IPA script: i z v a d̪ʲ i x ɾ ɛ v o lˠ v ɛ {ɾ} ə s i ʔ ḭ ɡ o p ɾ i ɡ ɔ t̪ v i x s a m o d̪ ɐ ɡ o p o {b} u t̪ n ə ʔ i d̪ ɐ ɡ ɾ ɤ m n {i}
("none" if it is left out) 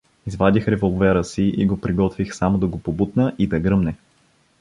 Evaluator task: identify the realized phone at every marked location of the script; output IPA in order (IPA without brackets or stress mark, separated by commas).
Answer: ɾ, b, ɛ